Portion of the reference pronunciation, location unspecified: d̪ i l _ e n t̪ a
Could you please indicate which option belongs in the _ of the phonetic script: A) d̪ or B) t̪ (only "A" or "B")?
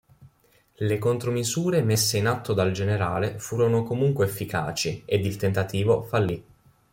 B